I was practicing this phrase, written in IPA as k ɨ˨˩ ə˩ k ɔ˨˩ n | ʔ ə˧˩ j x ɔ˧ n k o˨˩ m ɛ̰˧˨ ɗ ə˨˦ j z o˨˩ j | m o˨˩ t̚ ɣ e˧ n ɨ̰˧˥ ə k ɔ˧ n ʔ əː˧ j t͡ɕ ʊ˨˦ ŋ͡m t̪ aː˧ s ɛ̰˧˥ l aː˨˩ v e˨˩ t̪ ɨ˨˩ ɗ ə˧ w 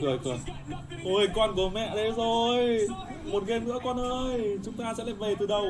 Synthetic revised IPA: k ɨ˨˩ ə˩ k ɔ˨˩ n | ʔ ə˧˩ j k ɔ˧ n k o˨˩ m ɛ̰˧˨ ɗ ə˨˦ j z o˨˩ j | m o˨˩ t̚ ɣ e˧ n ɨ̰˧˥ ə k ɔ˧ n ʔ əː˧ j t͡ɕ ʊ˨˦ ŋ͡m t̪ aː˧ s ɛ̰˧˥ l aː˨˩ v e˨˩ t̪ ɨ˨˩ ɗ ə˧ w